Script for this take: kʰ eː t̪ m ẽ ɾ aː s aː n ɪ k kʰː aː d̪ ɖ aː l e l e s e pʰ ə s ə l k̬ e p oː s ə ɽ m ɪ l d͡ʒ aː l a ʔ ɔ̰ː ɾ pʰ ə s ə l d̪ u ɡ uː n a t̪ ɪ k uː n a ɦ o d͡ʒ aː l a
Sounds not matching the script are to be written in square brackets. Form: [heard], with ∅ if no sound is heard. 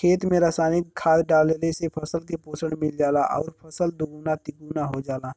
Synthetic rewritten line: kʰ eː t̪ m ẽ ɾ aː s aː n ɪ k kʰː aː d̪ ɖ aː l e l e s e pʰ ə s ə l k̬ e p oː s ə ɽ m ɪ l d͡ʒ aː l a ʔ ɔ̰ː ɾ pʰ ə s ə l d̪ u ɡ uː n a t̪ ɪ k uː n a ɦ o d͡ʒ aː l a